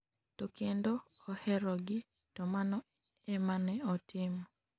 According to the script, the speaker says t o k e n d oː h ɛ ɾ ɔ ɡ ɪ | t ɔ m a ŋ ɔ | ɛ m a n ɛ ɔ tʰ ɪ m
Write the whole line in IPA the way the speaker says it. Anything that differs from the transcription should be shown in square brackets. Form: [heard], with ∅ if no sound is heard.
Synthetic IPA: t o k e n d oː h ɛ ɾ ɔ ɡ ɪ | t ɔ m a [n] ɔ | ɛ m a n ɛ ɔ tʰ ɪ m